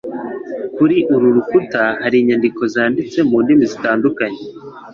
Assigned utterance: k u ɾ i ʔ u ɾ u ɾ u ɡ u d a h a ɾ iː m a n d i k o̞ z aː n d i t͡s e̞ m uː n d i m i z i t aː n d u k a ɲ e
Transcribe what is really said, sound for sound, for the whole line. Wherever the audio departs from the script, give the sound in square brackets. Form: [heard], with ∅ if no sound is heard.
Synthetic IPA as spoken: k u ɾ i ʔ u ɾ u ɾ u [k] u [t] a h a ɾ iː [ɲ] a n d i k o̞ z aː n d i t͡s e̞ m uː n d i m i z i t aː n d u k a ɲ e